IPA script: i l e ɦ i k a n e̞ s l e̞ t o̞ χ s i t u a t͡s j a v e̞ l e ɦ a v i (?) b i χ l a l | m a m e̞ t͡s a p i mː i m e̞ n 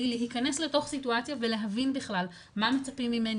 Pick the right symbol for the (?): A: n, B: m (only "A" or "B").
A